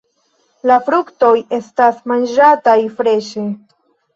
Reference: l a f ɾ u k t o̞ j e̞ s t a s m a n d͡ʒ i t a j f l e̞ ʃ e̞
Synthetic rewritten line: l a f ɾ u k t o̞ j e̞ s t a s m a n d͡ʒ a t a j f ɾ e̞ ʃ e̞